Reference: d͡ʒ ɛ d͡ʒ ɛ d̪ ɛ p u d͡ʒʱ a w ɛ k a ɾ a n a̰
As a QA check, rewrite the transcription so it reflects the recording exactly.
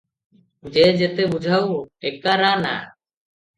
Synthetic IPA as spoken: d͡ʒ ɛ d͡ʒ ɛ t̪ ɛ b u d͡ʒʱ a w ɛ k a ɾ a n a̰